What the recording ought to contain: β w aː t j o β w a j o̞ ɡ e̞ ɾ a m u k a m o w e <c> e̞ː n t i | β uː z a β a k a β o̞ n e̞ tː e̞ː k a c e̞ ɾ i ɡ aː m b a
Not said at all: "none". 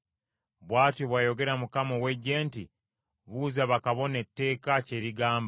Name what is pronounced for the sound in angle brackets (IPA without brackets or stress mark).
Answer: ɟ